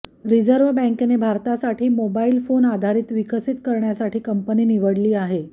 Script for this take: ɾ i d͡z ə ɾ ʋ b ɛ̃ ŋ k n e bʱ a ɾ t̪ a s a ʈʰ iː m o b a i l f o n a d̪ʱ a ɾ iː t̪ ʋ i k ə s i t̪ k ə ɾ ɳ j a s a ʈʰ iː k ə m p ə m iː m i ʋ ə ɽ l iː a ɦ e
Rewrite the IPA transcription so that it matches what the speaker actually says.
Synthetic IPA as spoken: ɾ i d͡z ə ɾ ʋ b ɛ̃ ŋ k n e bʱ a ɾ t̪ a s a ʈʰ iː m o b a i l f o n a d̪ʱ a ɾ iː t̪ ʋ i k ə s i t̪ k ə ɾ ɳ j a s a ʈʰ iː k ə m p ə n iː n i ʋ ə ɽ l iː a ɦ e